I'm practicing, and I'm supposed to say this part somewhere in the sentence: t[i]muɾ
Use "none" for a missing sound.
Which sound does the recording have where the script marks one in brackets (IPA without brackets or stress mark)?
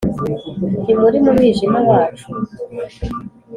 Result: i